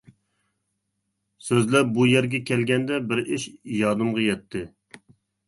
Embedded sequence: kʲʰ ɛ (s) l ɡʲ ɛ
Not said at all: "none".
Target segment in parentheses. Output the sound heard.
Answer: none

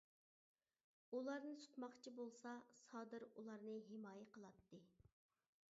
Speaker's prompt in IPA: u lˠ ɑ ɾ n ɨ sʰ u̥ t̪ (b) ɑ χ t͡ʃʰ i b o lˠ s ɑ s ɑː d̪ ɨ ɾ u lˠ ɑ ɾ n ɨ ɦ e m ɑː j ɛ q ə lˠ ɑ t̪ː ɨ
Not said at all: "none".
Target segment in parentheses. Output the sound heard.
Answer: m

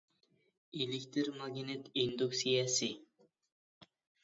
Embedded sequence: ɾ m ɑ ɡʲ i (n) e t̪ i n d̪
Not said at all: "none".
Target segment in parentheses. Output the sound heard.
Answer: n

